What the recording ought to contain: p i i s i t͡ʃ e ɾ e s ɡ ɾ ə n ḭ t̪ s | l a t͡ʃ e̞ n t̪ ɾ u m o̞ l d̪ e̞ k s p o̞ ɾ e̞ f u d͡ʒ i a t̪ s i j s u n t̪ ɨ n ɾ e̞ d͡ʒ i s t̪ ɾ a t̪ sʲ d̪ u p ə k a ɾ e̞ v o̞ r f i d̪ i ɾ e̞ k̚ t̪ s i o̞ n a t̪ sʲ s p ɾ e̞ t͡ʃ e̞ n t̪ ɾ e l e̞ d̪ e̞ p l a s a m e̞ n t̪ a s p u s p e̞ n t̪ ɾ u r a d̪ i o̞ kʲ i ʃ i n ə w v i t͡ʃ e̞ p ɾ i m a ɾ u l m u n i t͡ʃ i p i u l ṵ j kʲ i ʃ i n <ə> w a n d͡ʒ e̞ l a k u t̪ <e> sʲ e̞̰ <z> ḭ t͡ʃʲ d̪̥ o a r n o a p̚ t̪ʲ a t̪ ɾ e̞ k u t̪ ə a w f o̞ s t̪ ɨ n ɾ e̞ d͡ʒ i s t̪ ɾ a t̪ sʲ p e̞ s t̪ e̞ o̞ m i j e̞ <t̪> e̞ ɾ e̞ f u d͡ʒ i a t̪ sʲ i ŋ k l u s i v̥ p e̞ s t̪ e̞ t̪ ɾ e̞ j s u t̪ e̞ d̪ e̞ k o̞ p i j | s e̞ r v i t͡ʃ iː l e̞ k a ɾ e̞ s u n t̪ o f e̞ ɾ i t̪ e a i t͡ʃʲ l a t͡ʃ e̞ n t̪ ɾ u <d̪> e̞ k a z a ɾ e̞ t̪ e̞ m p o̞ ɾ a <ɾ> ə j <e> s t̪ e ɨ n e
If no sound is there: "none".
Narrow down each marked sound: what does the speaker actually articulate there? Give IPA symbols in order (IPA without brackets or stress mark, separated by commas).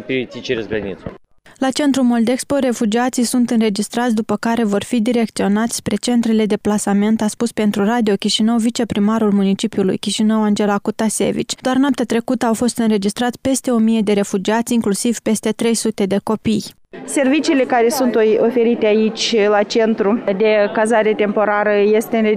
ə, a, v, d̪, d̪, ɾ, e